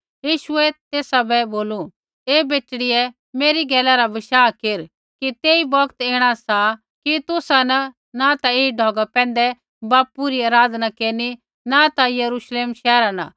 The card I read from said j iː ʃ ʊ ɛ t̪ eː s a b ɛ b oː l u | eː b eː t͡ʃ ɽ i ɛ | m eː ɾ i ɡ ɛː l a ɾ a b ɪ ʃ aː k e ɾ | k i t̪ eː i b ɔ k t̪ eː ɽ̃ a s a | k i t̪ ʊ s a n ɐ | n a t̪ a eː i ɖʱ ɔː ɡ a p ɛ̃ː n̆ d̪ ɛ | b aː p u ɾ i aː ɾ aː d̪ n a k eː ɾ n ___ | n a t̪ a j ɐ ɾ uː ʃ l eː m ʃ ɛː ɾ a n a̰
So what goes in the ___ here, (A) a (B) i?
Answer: B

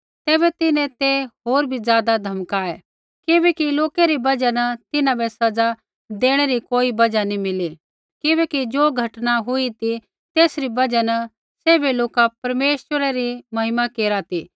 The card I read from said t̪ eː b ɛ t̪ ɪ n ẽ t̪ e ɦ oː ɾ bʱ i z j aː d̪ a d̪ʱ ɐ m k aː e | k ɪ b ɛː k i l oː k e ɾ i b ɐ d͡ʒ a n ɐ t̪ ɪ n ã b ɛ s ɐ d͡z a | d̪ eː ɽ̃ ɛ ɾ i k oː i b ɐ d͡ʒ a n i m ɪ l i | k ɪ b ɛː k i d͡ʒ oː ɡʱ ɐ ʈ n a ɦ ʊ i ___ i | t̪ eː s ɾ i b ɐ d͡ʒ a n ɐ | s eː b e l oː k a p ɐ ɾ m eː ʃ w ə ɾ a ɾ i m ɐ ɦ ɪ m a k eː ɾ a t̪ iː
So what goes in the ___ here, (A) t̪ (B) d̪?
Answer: A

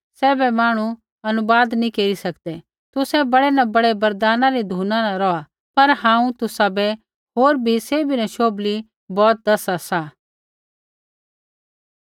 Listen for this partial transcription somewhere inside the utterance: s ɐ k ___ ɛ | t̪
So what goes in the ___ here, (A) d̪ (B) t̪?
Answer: A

